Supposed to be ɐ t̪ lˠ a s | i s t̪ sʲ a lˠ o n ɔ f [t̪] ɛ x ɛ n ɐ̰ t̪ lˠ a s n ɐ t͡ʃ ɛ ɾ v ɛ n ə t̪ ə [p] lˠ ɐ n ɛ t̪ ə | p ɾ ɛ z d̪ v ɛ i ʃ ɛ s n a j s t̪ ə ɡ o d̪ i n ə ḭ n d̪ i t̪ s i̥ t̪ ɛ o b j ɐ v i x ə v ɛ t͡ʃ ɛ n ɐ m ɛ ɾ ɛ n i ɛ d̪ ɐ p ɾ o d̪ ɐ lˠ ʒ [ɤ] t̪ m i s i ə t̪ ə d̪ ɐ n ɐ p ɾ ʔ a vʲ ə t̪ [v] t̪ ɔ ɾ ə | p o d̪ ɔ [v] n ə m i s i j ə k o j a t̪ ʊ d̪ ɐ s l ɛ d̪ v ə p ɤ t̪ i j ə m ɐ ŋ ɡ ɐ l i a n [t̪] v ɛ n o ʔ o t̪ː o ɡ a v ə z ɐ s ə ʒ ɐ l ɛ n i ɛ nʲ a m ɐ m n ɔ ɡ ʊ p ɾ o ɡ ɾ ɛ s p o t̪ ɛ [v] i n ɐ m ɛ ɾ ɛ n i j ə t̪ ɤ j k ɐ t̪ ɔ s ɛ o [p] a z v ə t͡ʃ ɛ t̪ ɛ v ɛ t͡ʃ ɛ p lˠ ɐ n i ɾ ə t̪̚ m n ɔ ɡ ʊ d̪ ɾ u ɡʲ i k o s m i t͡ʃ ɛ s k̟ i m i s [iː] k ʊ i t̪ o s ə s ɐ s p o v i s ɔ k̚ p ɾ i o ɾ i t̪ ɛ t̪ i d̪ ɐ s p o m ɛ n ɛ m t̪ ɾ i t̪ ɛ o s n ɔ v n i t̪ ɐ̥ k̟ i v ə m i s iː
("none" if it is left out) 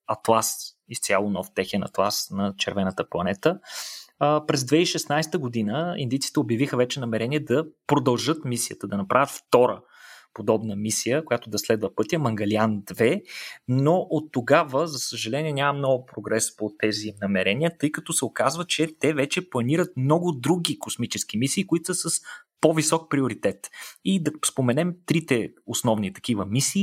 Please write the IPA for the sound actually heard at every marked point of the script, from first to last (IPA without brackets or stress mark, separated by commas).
t̪, p, ɤ, f, b, d̪, z, k, iː